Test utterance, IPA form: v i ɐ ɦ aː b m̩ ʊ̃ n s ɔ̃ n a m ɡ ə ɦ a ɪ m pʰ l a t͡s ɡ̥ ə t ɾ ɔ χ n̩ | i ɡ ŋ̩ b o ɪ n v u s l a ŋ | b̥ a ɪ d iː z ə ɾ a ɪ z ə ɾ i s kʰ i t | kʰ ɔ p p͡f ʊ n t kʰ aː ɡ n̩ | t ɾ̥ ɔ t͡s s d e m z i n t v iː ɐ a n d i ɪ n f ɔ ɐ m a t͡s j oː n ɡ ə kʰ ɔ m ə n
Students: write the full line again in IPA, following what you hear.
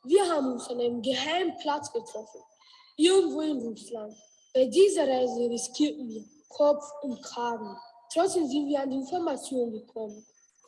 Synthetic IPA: v i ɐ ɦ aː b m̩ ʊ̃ n s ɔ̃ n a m ɡ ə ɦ a ɪ m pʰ l a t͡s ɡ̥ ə t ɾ ɔ f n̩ | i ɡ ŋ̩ v o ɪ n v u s l a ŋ | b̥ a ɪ d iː z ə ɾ a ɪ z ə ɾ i s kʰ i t | kʰ ɔ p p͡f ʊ n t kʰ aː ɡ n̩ | t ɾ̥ ɔ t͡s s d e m z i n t v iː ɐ a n d i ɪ n f ɔ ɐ m a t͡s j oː n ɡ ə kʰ ɔ m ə n

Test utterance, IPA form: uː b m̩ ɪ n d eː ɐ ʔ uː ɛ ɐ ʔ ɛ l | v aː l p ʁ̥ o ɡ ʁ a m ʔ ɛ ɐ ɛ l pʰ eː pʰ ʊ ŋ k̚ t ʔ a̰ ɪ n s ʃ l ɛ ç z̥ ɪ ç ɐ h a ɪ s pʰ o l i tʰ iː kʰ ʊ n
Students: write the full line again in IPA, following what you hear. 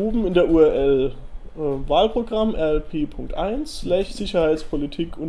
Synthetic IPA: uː b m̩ ɪ n d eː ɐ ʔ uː ɛ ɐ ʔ ɛ l | v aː l p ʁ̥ o ɡ ʁ a m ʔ ɛ ɐ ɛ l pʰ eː pʰ ʊ ŋ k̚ t ʔ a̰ ɪ n s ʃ l ɛ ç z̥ ɪ ç ɐ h a ɪ t͡s pʰ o l i tʰ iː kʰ ʊ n

